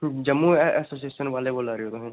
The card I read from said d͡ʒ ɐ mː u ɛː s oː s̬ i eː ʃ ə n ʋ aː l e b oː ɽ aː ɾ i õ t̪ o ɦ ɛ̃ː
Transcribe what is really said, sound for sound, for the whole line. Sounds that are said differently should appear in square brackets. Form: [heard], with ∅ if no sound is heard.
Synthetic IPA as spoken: d͡ʒ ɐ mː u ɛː s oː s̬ i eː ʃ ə n ʋ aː l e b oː [l] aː ɾ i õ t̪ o ɦ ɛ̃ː